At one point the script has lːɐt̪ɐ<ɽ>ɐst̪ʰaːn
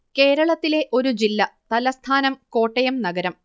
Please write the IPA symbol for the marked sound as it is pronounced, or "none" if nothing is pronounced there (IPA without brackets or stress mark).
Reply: l